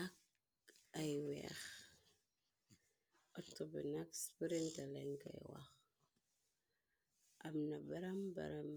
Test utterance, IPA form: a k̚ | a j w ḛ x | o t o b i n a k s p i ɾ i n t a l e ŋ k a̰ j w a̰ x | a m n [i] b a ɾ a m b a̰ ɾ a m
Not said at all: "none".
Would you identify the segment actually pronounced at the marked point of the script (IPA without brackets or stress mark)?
a